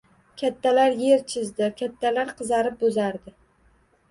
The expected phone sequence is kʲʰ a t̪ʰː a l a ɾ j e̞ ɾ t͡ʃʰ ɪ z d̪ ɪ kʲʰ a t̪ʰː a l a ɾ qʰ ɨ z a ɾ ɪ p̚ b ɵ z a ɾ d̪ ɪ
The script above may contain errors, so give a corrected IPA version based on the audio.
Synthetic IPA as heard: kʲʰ a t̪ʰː a l a ɾ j e̞ ɾ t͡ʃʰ ɪ z d̪ ɪ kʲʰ a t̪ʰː a l a ɾ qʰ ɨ z a ɾ ɪ p̚ b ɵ z a ɾ d̪ ɪ